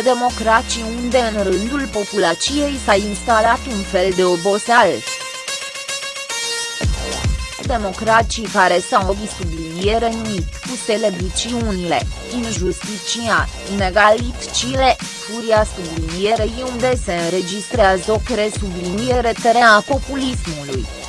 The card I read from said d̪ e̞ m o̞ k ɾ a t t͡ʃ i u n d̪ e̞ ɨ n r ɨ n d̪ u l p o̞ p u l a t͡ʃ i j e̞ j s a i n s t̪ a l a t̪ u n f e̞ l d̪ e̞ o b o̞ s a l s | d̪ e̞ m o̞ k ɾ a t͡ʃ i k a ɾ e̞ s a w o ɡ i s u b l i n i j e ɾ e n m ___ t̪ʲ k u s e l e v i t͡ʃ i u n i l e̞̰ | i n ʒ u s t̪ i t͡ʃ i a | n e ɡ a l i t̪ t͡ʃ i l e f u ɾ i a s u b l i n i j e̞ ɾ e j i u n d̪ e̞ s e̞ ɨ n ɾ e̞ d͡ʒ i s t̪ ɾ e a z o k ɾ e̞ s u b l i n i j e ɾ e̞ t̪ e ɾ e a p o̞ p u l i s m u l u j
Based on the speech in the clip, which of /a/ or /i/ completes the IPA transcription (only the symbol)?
i